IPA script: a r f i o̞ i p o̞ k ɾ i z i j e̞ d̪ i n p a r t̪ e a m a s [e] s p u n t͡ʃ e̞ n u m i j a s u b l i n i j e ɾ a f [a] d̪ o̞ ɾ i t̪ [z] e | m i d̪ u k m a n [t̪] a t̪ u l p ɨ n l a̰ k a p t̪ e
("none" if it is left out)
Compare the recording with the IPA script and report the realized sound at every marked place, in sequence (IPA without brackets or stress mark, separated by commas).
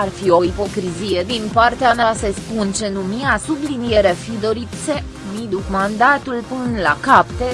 e, i, s, d̪